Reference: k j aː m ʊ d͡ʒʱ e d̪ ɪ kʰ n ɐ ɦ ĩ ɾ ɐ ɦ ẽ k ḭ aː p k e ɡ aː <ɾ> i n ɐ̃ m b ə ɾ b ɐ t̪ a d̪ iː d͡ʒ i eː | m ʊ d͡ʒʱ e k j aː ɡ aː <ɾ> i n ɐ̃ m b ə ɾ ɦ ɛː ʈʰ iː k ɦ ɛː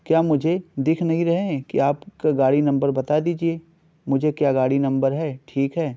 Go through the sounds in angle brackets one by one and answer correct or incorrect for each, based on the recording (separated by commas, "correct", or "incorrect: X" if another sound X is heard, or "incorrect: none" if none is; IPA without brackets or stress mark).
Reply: incorrect: ɽ, incorrect: ɽ